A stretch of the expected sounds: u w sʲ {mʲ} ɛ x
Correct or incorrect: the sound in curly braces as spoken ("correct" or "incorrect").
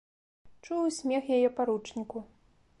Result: correct